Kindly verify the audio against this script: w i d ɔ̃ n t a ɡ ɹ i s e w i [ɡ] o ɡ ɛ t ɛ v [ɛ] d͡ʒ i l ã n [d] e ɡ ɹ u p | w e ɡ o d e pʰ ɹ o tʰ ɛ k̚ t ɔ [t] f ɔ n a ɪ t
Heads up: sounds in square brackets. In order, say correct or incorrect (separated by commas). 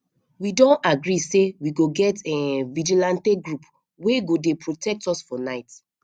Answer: correct, incorrect, incorrect, incorrect